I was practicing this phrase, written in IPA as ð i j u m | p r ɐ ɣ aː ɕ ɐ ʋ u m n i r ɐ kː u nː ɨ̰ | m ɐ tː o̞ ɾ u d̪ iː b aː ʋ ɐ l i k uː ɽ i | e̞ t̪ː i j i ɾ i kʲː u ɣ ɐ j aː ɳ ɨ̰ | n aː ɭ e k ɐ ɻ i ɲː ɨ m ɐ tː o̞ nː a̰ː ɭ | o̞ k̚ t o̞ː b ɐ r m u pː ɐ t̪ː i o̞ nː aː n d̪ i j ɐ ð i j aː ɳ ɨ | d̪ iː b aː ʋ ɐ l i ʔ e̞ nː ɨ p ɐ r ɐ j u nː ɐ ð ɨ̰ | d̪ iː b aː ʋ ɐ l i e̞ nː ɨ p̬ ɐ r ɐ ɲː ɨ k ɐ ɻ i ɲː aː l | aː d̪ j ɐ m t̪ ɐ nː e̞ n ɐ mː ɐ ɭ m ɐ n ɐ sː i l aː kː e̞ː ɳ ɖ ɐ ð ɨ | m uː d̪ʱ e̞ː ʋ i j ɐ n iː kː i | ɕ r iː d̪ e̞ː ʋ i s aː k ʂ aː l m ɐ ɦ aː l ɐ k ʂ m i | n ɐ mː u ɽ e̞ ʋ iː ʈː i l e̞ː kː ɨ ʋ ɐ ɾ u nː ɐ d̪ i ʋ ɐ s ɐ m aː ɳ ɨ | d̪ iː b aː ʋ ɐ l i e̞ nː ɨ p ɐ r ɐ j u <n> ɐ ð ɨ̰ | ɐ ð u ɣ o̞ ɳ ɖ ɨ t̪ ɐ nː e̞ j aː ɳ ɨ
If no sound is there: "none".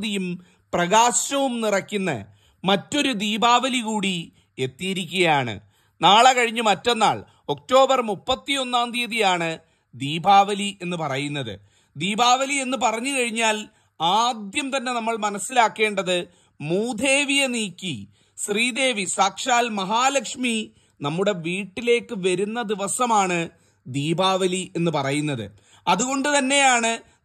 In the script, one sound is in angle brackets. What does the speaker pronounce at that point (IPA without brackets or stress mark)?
nː